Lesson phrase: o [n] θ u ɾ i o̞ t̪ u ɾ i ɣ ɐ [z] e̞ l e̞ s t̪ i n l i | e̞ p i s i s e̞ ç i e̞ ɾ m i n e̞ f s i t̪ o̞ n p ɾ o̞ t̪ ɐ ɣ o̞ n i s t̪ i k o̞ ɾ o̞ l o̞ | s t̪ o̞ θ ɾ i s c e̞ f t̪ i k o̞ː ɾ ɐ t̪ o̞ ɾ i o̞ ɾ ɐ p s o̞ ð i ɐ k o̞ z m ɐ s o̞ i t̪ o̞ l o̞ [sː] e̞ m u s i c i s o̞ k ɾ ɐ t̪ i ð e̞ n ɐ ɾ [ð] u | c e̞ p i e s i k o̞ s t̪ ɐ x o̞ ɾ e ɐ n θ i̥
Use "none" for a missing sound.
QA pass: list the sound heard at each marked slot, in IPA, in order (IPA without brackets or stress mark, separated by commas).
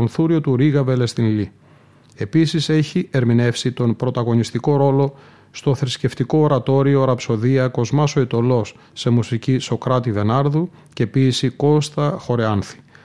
n, v, sː, ð